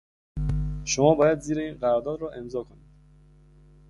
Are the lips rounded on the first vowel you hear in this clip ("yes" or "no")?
yes